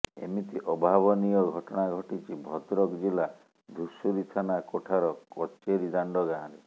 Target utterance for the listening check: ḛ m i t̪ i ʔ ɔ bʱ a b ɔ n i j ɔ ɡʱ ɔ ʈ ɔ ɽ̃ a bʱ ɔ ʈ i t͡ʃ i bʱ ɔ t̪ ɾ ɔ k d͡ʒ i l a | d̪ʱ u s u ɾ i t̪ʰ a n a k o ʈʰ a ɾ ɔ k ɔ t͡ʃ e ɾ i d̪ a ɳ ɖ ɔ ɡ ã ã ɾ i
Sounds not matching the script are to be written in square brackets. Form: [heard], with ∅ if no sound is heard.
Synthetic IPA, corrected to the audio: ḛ m i t̪ i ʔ ɔ bʱ a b ɔ n i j ɔ ɡʱ ɔ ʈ ɔ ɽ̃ a [ɡʱ] ɔ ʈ i t͡ʃ i bʱ ɔ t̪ ɾ ɔ k d͡ʒ i l a | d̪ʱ u s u ɾ i t̪ʰ a n a k o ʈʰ a ɾ ɔ k ɔ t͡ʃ e ɾ i d̪ a ɳ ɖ ɔ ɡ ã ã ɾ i